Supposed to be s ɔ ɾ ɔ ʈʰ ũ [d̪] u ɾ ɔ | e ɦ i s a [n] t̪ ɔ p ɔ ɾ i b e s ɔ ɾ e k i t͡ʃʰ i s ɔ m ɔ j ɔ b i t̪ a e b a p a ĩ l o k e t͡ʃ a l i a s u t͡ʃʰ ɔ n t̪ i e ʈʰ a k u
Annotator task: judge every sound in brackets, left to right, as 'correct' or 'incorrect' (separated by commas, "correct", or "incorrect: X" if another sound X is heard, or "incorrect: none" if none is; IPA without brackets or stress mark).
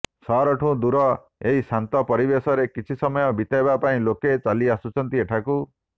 correct, correct